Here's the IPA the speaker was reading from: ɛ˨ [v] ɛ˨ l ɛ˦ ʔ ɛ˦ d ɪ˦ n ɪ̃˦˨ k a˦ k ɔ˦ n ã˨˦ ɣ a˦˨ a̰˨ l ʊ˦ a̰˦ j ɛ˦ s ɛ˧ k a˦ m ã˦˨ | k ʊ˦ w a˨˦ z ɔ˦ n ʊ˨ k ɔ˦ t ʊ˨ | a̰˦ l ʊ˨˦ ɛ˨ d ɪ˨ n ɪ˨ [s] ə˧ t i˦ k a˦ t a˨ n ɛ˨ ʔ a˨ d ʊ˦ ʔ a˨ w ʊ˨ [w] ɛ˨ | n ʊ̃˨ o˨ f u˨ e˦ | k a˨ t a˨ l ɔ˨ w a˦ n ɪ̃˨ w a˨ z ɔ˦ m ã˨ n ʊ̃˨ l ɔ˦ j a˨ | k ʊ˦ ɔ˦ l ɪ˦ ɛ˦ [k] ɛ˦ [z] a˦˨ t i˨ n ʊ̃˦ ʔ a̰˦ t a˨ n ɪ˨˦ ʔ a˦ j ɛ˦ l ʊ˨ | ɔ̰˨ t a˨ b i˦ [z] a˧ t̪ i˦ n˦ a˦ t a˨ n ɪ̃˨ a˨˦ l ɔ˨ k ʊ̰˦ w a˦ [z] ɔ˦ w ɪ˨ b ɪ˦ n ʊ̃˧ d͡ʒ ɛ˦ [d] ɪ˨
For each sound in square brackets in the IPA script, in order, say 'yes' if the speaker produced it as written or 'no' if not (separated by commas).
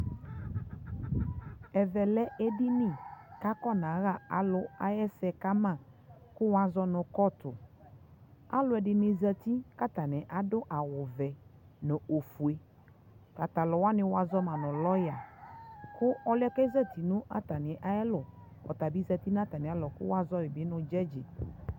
yes, no, no, yes, yes, yes, yes, no